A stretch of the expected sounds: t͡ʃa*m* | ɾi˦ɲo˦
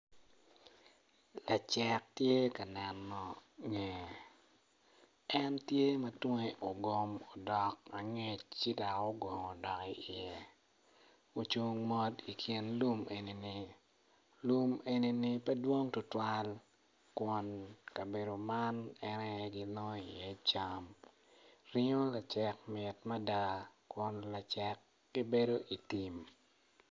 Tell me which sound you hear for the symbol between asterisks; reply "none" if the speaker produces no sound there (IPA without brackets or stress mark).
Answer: m